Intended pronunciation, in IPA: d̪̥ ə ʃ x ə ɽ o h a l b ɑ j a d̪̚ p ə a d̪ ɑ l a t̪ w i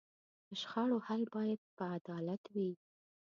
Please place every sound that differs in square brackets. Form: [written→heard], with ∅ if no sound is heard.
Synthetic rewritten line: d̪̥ ə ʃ x [ə→ɑ] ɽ o h a l b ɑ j a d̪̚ p ə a d̪ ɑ l a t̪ w i